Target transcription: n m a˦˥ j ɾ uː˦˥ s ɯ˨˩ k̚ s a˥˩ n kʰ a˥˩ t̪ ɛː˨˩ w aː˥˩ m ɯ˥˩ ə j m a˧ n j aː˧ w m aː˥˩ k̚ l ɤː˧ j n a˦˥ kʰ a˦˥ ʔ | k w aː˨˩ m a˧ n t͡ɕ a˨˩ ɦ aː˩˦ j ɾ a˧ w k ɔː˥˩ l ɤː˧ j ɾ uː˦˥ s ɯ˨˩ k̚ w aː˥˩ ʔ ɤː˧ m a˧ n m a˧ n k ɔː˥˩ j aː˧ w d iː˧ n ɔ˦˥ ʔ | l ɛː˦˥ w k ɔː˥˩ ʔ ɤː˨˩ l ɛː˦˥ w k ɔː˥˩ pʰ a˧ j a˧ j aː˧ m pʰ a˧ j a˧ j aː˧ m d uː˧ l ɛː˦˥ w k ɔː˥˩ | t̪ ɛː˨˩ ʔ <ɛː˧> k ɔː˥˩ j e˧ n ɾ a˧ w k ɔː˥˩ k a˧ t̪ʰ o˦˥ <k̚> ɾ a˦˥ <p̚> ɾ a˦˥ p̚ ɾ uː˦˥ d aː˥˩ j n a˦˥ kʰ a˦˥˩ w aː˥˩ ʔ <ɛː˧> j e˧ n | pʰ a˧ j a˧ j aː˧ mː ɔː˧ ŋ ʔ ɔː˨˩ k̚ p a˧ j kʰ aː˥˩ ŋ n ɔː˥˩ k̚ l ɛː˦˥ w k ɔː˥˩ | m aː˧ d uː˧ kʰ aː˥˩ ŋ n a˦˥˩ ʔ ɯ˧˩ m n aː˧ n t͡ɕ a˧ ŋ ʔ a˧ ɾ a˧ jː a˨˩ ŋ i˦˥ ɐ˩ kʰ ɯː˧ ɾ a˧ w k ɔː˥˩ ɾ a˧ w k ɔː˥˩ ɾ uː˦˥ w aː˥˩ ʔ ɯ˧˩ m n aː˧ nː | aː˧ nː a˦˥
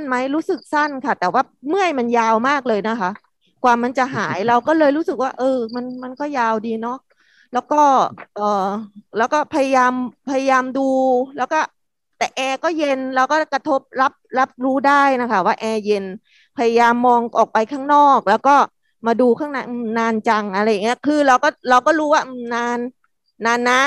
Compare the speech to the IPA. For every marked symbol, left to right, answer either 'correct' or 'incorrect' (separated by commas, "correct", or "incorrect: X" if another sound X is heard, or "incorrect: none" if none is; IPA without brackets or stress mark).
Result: correct, incorrect: p̚, correct, correct